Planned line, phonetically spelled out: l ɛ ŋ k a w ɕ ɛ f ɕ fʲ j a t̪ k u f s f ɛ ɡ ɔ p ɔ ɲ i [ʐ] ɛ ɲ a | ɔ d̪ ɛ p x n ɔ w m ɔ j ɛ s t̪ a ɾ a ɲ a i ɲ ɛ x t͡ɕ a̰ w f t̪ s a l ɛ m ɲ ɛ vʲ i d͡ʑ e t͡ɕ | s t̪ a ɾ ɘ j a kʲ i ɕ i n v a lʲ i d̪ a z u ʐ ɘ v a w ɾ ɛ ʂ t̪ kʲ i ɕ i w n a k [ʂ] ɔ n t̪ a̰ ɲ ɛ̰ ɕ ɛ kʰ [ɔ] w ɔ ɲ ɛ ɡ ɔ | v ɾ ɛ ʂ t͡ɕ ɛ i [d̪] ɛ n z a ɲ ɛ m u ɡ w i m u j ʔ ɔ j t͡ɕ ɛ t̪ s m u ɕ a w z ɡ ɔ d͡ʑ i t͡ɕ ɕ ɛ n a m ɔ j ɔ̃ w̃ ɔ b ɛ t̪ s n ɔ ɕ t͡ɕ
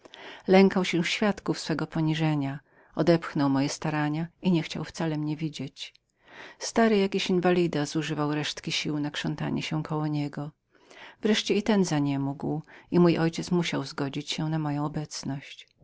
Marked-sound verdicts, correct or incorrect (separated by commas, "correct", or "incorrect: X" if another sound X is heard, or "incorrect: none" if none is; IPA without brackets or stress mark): correct, correct, correct, incorrect: t̪